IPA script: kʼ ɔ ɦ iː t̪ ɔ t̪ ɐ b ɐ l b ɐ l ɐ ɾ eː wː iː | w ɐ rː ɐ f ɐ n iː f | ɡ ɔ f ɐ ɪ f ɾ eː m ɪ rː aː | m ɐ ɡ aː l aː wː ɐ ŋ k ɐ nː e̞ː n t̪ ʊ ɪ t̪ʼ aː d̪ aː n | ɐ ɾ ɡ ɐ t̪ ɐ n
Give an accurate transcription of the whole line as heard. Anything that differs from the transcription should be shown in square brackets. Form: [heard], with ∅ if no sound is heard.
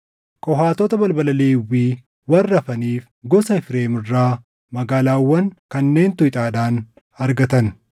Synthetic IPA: kʼ ɔ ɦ [aː] t̪ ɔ t̪ ɐ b ɐ l b ɐ l ɐ [l] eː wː iː | w ɐ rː ɐ f ɐ n iː f | ɡ ɔ [s] ɐ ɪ f ɾ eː m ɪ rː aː | m ɐ ɡ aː l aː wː ɐ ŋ k ɐ nː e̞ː n t̪ ʊ ɪ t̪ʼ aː d̪ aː n | ɐ ɾ ɡ ɐ t̪ ɐ n